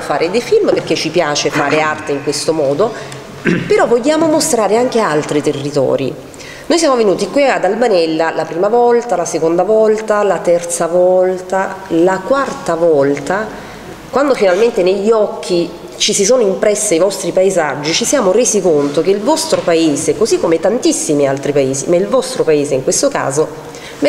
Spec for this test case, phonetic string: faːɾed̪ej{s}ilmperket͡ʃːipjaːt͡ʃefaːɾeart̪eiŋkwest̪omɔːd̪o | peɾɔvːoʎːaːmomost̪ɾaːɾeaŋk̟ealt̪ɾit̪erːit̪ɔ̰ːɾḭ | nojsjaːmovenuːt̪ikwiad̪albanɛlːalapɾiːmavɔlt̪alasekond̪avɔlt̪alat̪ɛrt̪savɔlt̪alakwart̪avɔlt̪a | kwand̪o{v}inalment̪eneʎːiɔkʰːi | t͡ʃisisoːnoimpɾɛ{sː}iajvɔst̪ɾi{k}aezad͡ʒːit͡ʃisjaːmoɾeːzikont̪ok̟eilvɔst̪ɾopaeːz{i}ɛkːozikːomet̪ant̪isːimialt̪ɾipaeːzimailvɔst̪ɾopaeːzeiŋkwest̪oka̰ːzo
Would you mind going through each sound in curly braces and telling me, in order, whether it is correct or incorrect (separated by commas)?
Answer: incorrect, incorrect, correct, incorrect, incorrect